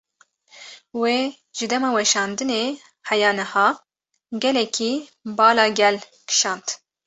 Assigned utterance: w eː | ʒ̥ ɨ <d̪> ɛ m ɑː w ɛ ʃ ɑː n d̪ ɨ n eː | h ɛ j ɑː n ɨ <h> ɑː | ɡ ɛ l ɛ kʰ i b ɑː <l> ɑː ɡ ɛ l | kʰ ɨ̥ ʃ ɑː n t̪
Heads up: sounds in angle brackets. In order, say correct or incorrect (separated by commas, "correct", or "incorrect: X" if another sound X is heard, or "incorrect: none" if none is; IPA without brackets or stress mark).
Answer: correct, correct, correct